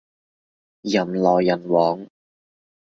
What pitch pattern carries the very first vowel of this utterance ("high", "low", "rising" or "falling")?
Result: low